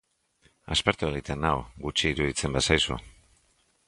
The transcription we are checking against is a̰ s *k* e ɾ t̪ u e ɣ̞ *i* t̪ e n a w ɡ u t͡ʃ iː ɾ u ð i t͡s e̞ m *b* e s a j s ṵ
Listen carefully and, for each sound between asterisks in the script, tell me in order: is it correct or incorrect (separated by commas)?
incorrect, correct, correct